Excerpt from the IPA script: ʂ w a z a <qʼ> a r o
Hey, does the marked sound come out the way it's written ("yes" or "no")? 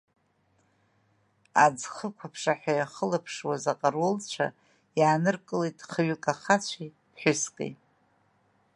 yes